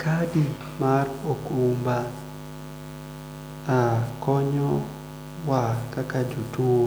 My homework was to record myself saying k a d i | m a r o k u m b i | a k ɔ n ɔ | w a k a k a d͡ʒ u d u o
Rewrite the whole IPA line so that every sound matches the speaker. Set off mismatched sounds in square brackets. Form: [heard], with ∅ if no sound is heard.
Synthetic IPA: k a d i | m a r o k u m b [a] | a k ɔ [ɲ] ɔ | w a k a k a d͡ʒ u [t] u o